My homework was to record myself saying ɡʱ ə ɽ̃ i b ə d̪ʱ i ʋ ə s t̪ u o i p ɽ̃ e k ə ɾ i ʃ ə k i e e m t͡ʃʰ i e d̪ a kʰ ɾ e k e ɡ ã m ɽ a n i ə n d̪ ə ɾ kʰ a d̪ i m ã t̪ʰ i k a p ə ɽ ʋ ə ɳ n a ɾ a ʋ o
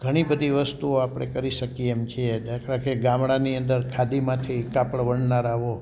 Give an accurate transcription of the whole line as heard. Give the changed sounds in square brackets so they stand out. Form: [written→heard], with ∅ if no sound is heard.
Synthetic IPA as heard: ɡʱ ə ɽ̃ i b ə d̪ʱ i ʋ ə s t̪ u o [i→a] p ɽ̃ e k ə ɾ i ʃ ə k i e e m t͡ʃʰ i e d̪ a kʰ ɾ [e→a] k e ɡ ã m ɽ a n i ə n d̪ ə ɾ kʰ a d̪ i m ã t̪ʰ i k a p ə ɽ ʋ ə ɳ n a ɾ a ʋ o